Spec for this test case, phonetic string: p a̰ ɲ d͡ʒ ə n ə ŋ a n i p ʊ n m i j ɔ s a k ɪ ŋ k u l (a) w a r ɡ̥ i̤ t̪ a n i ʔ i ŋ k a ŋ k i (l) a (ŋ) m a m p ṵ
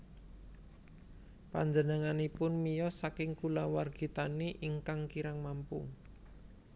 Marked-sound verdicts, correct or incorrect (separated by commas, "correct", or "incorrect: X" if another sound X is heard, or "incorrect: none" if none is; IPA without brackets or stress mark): correct, incorrect: ɾ, correct